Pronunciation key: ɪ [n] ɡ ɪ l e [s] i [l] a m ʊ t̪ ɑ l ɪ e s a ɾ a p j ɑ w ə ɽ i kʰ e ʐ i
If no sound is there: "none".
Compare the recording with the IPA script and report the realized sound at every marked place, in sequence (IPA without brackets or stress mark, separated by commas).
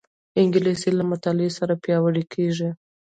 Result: ŋ, s, l